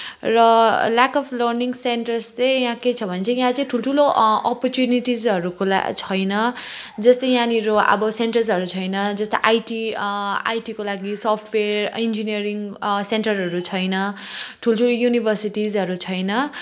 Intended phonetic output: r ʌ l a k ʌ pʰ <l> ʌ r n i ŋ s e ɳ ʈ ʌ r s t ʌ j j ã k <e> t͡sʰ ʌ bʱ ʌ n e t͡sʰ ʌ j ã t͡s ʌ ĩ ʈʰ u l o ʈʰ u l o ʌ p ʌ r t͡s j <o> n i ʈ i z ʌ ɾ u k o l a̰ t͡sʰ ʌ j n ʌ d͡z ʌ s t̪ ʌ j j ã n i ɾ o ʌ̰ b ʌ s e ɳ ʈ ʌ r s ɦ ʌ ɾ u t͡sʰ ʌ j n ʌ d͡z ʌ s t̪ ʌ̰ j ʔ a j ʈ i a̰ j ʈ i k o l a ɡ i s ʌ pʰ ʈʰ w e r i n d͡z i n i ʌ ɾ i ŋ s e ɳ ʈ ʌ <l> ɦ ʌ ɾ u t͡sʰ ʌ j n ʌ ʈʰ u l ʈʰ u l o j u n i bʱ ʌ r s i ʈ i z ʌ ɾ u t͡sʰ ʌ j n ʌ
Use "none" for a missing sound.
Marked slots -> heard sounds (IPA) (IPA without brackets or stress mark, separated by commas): l, e, u, r